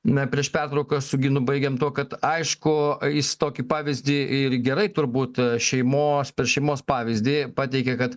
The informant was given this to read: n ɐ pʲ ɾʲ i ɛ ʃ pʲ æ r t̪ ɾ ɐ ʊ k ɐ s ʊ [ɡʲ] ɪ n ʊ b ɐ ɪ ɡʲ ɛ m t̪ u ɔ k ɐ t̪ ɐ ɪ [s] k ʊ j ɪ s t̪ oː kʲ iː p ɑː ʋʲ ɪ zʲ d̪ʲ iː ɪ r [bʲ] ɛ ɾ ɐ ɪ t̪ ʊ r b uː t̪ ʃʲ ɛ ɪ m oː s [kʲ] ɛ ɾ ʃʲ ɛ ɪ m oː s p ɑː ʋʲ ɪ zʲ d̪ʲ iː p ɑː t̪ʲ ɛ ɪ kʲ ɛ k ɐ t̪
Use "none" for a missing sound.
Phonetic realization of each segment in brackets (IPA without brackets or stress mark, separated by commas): ɡʲ, ʃ, ɡʲ, pʲ